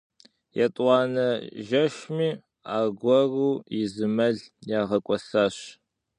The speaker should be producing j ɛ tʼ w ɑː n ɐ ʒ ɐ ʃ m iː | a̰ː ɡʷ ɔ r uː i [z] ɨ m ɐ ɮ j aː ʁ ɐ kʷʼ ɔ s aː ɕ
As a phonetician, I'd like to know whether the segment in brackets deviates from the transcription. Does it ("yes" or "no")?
no